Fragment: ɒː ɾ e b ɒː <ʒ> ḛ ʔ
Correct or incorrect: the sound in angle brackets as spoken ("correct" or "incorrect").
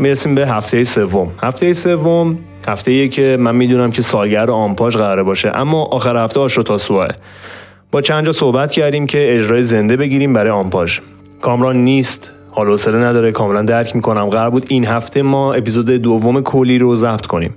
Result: incorrect